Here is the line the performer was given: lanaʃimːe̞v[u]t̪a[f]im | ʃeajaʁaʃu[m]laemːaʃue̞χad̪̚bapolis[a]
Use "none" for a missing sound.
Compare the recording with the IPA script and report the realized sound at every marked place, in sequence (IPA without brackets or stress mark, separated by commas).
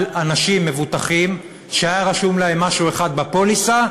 u, χ, m, a